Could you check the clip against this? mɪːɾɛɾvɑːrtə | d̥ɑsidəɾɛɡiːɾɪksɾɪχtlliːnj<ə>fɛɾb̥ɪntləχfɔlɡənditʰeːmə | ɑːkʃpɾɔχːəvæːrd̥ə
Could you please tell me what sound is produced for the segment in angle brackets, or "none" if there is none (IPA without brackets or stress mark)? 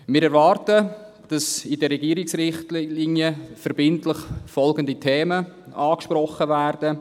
ə